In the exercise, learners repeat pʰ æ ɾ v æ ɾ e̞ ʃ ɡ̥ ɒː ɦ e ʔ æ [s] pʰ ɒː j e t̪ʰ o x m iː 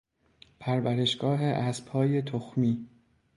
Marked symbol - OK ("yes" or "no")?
yes